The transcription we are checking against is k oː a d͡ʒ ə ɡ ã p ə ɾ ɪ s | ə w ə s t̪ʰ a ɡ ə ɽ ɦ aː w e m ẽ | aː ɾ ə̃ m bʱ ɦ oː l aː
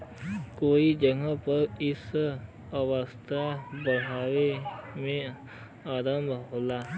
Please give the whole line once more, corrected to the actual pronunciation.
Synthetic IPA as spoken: k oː i d͡ʒ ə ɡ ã p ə ɾ ɪ s | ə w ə s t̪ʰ a b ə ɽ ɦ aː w e m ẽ | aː ɾ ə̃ m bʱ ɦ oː l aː